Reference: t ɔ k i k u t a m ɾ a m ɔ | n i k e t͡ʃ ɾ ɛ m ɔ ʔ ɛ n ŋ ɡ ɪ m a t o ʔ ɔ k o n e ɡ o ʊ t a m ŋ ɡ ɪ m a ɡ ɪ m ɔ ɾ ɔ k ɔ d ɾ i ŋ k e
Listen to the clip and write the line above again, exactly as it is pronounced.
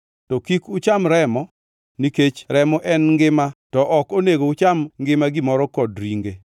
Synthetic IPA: t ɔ k i k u t͡ʃ a m ɾ ɛ m ɔ | n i k e t͡ʃ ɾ ɛ m ɔ ʔ ɛ n ŋ ɡ ɪ m a t ɔ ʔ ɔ k o n e ɡ o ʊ t͡ʃ a m ŋ ɡ ɪ m a ɡ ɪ m ɔ ɾ ɔ k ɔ d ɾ i ŋ ɡ e